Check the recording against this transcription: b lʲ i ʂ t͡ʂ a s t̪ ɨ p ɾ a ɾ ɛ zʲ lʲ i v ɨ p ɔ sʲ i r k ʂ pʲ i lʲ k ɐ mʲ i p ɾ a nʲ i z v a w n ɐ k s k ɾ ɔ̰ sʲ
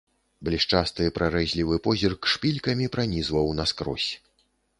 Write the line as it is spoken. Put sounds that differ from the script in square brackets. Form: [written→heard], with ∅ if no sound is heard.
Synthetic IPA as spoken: b lʲ i ʂ t͡ʂ a s t̪ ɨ p ɾ a ɾ ɛ zʲ lʲ i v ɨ p ɔ [sʲ→zʲ] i r k ʂ pʲ i lʲ k ɐ mʲ i p ɾ a nʲ i z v [a→ɐ] w n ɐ [k→∅] s k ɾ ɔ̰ sʲ